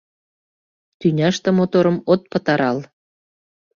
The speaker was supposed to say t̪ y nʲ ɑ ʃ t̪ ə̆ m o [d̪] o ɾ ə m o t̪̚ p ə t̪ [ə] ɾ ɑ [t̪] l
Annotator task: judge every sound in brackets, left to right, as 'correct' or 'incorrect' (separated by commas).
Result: incorrect, incorrect, incorrect